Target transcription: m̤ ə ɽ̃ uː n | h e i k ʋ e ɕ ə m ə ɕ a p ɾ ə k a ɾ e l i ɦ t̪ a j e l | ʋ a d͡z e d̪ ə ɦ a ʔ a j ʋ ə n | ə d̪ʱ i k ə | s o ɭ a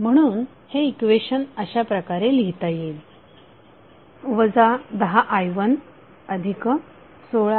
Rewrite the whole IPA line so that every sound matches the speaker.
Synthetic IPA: m̤ ə ɽ̃ uː n | h e i k ʋ e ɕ ə n ə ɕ a p ɾ ə k a ɾ e l i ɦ t̪ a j e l | ʋ ə d͡z a d̪ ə ɦ a ʔ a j ʋ ə n | ə d̪ʱ i k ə | s o ɭ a

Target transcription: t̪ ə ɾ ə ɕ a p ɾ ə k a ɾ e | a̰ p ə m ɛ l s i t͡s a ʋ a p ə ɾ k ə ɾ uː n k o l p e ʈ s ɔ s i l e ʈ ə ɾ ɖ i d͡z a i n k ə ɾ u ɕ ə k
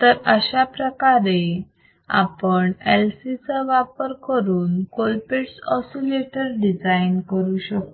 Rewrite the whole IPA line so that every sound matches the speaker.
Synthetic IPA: t̪ ə ɾ ə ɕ a p ɾ ə k a ɾ e | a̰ p ə ɳ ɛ l s i t͡s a ʋ a p ə ɾ k ə ɾ uː n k o l p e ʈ s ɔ s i l e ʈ ə ɾ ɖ i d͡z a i n k ə ɾ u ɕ ə k

